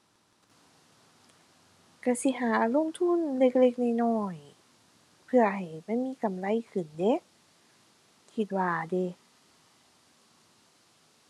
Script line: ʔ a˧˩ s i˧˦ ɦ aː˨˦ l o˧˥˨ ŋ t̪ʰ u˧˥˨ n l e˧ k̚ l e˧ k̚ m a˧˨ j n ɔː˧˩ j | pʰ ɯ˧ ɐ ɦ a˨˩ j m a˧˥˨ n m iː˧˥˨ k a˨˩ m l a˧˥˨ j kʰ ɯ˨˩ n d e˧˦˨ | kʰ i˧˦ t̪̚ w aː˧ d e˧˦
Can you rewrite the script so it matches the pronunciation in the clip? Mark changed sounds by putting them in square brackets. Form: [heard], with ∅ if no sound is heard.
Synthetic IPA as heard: [k] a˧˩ s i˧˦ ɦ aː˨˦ l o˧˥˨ ŋ t̪ʰ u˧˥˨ n l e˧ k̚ l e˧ k̚ [n] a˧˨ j n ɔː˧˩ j | pʰ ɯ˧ ɐ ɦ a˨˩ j m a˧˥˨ n m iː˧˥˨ k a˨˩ m l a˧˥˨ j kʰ ɯ˨˩ n d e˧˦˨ | kʰ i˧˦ t̪̚ w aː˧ d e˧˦